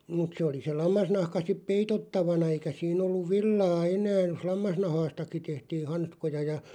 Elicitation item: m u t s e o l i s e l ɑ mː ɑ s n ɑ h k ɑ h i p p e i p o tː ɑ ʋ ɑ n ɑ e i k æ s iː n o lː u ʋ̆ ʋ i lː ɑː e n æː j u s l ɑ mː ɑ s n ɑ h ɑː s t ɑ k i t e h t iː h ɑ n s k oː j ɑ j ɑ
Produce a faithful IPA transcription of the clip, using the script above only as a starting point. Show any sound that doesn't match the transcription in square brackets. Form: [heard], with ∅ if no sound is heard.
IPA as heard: m u t s e o l i s e l ɑ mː ɑ s n ɑ h k ɑ [s] i p p e i [t] o tː ɑ ʋ ɑ n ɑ e i k æ s iː n o lː u ʋ̆ ʋ i lː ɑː e n æː j [o] s l ɑ mː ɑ s n ɑ h ɑː s t ɑ k i t e h t iː h ɑ n s k [o] j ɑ j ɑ